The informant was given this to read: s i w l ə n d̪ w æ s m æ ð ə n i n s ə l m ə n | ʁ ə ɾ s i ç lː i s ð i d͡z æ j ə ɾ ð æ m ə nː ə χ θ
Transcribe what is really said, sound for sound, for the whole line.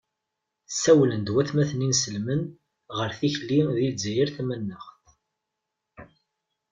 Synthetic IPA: s æ w l ə n d̪ w æ θ m æ θ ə n i n s ə l m ə n | ʁ ə ɾ θ i ç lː i ð i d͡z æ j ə ɾ θ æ m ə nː ə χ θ